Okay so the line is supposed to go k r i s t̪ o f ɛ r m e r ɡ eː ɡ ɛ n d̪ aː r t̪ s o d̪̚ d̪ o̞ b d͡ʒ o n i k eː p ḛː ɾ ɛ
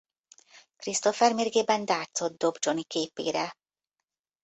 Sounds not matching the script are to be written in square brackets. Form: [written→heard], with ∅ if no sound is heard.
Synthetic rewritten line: k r i s t̪ o f ɛ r m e r ɡ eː [ɡ→b] ɛ n d̪ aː r t̪ s o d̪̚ d̪ o̞ b d͡ʒ o n i k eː p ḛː ɾ ɛ